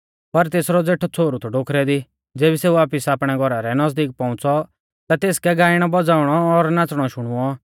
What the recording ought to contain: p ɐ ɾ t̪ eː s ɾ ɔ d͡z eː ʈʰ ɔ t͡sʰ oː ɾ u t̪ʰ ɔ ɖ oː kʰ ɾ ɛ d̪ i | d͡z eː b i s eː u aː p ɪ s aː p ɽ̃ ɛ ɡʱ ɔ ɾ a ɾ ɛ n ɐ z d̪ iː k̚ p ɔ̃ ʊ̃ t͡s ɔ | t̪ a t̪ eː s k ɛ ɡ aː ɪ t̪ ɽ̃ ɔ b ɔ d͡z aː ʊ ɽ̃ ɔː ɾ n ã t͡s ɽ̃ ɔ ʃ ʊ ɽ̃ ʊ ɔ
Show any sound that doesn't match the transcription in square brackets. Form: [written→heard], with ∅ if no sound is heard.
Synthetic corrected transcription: p ɐ ɾ t̪ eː s ɾ ɔ d͡z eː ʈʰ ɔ t͡sʰ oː ɾ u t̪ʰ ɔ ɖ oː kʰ ɾ ɛ d̪ i | d͡z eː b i s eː u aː p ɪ s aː p ɽ̃ ɛ ɡʱ ɔ ɾ a ɾ ɛ n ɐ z d̪ iː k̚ p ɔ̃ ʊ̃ t͡s ɔ | t̪ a t̪ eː s k ɛ ɡ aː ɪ [t̪→∅] ɽ̃ ɔ b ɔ d͡z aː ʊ ɽ̃ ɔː ɾ n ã t͡s ɽ̃ ɔ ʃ ʊ ɽ̃ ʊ ɔ

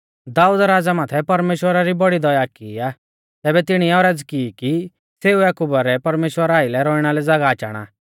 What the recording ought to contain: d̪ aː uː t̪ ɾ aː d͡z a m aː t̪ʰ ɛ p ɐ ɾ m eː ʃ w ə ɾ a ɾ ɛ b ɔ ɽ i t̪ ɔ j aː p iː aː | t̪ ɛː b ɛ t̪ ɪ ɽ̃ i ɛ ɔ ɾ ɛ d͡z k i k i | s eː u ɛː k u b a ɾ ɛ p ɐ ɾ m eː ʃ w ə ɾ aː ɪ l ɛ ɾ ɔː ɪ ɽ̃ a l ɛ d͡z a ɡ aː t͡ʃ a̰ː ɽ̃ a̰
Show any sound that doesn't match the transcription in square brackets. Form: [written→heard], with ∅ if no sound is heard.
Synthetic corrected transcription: d̪ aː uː [t̪→d̪] ɾ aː d͡z a m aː t̪ʰ ɛ p ɐ ɾ m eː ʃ w ə ɾ a ɾ [ɛ→i] b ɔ ɽ i [t̪→d̪] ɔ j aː [p→k] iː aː | t̪ ɛː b ɛ t̪ ɪ ɽ̃ i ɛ ɔ ɾ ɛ d͡z k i k i | s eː u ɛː k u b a ɾ ɛ p ɐ ɾ m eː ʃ w ə ɾ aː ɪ l ɛ ɾ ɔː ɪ ɽ̃ a l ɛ d͡z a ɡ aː t͡ʃ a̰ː ɽ̃ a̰

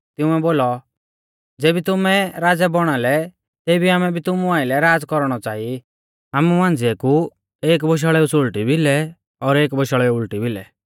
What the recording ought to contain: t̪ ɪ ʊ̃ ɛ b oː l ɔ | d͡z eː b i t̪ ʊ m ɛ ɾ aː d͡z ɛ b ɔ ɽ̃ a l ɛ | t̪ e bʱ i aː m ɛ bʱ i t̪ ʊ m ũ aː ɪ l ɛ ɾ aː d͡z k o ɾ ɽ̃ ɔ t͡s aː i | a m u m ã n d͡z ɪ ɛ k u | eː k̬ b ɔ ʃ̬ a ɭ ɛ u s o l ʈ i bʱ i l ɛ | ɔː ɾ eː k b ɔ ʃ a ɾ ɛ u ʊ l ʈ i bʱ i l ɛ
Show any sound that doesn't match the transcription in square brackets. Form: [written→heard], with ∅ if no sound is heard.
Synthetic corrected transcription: t̪ ɪ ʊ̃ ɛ b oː l ɔ | d͡z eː b i t̪ ʊ m ɛ ɾ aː d͡z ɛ b ɔ ɽ̃ a l ɛ | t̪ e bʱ i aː m ɛ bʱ i t̪ ʊ m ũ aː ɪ l ɛ ɾ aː d͡z k [o→ɔ] ɾ ɽ̃ ɔ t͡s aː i | a m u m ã n d͡z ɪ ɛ k u | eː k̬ b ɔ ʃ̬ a ɭ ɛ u s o l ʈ i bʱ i l ɛ | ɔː ɾ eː k b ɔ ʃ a [ɾ→ɭ] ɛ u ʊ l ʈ i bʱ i l ɛ

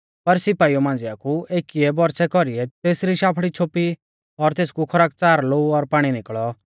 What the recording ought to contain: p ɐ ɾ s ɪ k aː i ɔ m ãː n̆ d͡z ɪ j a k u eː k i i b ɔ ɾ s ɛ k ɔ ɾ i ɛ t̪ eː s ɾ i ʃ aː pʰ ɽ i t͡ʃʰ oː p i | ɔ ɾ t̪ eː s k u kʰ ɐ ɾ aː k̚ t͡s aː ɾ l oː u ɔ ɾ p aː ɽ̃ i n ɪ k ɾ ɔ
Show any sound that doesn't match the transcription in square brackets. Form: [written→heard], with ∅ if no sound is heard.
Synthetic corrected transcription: p ɐ ɾ s ɪ [k→p] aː i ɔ m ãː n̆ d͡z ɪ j a k u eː k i [i→ɛ] b ɔ ɾ s ɛ k ɔ ɾ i ɛ t̪ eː s ɾ i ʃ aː pʰ ɽ i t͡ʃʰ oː p i | ɔ ɾ t̪ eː s k u kʰ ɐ ɾ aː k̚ t͡s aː ɾ l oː u ɔ ɾ p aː ɽ̃ i n ɪ k [ɾ→ɭ] ɔ

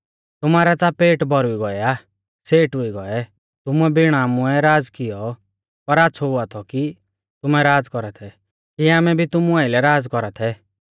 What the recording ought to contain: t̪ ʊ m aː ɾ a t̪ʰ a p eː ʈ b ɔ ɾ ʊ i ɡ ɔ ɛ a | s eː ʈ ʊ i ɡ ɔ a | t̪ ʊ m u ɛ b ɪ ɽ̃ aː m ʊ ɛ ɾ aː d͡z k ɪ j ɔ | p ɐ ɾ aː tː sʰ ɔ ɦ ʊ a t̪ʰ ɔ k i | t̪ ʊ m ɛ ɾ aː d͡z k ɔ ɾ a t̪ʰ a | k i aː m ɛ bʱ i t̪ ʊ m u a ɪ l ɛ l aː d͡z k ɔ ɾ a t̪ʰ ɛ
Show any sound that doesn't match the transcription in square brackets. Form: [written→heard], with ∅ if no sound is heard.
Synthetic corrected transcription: t̪ ʊ m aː ɾ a [t̪ʰ→t̪] a p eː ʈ b ɔ ɾ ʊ i ɡ ɔ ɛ a | s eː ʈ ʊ i ɡ ɔ [a→ɛ] | t̪ ʊ m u ɛ b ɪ ɽ̃ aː m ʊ ɛ ɾ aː d͡z k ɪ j ɔ | p ɐ ɾ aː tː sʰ ɔ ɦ ʊ a t̪ʰ ɔ k i | t̪ ʊ m ɛ ɾ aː d͡z k ɔ ɾ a t̪ʰ [a→ɛ] | k i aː m ɛ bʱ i t̪ ʊ m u a ɪ l ɛ [l→ɾ] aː d͡z k ɔ ɾ a t̪ʰ ɛ

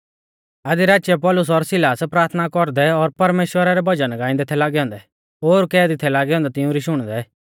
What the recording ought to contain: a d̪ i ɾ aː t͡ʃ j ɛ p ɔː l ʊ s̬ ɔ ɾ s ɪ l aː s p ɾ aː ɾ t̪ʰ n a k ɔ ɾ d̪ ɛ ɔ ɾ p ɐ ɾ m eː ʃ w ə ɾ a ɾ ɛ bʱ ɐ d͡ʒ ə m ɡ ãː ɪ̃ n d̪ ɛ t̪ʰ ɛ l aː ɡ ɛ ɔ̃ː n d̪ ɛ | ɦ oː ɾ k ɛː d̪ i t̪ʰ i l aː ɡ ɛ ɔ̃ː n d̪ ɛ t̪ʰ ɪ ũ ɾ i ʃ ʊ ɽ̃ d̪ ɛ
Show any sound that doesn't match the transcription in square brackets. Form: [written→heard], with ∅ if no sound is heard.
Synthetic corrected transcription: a d̪ i ɾ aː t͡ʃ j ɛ p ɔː l ʊ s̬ ɔ ɾ s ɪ l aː s p ɾ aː ɾ t̪ʰ n a k ɔ ɾ d̪ ɛ ɔ ɾ p ɐ ɾ m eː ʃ w ə ɾ a ɾ ɛ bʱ ɐ d͡ʒ ə [m→n] ɡ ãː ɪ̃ n d̪ ɛ t̪ʰ ɛ l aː ɡ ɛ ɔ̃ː n d̪ ɛ | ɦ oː ɾ k ɛː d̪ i t̪ʰ [i→ɛ] l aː ɡ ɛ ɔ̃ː n d̪ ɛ [t̪ʰ→t̪] ɪ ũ ɾ i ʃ ʊ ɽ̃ d̪ ɛ

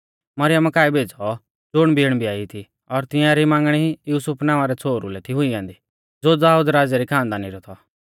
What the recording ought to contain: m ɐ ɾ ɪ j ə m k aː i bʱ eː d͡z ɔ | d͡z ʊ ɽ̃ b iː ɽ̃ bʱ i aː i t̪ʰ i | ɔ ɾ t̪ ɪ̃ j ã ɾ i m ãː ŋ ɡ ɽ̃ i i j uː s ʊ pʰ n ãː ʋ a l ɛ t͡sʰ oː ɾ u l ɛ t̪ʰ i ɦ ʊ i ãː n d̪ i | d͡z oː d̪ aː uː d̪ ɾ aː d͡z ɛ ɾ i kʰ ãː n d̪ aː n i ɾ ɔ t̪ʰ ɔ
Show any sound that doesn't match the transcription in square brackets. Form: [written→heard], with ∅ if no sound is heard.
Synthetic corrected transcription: m ɐ ɾ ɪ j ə m k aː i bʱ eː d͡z ɔ | d͡z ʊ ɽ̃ b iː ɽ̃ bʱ i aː i t̪ʰ i | ɔ ɾ t̪ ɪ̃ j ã ɾ i m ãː ŋ ɡ ɽ̃ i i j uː s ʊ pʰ n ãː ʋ a [l→ɾ] ɛ t͡sʰ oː ɾ u l ɛ t̪ʰ i ɦ ʊ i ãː n d̪ i | d͡z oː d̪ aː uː d̪ ɾ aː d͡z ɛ ɾ i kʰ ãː n d̪ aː n i ɾ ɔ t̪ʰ ɔ

